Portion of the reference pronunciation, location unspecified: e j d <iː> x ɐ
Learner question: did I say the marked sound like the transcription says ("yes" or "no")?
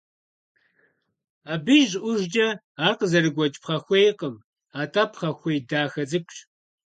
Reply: no